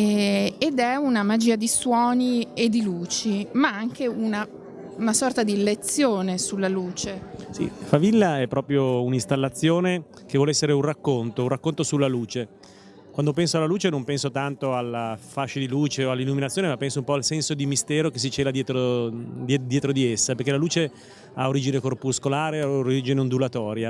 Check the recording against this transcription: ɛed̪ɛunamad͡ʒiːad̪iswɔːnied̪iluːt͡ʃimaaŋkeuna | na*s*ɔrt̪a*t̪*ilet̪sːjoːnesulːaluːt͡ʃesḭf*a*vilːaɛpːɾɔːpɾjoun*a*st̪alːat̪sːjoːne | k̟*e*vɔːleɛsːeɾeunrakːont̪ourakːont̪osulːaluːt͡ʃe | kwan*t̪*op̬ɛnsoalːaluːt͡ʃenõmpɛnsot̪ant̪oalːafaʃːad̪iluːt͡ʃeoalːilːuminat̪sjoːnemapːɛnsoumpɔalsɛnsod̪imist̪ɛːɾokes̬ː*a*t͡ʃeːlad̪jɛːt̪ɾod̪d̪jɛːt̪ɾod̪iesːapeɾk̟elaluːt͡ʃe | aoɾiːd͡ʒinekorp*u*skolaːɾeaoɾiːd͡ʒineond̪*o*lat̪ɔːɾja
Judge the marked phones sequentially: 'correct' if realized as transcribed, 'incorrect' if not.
correct, incorrect, correct, incorrect, correct, incorrect, incorrect, correct, incorrect

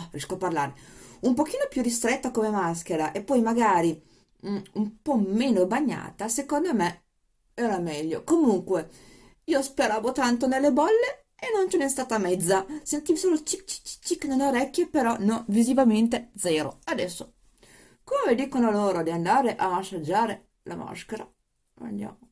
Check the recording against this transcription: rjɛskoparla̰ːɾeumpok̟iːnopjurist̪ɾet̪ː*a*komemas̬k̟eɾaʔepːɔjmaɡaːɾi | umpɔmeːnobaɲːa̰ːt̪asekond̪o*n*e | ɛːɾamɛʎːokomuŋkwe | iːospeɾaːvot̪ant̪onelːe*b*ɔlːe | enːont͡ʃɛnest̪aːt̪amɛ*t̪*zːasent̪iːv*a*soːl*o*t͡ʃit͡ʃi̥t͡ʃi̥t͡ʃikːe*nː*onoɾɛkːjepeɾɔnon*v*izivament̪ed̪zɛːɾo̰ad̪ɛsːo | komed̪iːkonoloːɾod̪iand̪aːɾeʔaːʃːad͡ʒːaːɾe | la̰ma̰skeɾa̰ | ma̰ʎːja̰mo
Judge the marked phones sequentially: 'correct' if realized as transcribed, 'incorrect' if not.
correct, incorrect, correct, incorrect, incorrect, correct, incorrect, correct

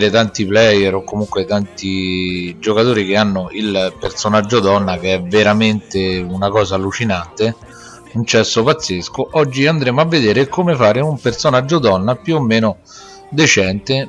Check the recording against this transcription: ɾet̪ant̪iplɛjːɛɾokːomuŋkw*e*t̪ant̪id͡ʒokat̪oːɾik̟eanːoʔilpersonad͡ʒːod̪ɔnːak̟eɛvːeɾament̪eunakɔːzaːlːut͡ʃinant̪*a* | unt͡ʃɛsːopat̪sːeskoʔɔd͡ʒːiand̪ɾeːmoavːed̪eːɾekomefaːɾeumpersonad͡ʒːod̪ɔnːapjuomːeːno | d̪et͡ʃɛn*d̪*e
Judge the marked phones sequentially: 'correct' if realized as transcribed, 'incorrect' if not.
correct, incorrect, incorrect

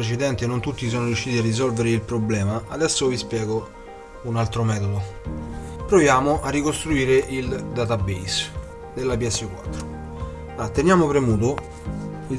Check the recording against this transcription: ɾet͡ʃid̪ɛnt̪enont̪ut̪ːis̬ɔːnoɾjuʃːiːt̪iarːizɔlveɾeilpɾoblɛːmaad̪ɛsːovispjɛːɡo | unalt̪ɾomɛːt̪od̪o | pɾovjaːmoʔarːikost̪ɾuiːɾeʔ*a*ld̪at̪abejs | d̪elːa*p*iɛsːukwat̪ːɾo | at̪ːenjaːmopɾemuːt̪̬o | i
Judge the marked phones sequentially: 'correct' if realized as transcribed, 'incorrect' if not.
incorrect, correct

